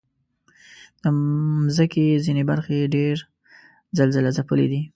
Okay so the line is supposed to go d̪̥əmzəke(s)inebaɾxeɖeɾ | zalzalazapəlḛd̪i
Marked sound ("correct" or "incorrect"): incorrect